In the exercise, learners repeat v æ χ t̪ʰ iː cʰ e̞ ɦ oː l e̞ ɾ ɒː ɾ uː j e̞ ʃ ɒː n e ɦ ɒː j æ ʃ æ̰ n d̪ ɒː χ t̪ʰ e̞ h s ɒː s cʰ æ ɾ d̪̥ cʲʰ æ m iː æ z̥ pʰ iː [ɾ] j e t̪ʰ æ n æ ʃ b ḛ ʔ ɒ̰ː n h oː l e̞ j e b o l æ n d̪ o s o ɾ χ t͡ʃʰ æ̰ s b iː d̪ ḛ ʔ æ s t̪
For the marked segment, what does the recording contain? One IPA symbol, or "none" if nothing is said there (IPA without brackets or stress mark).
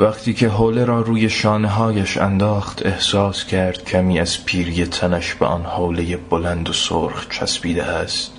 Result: ɾ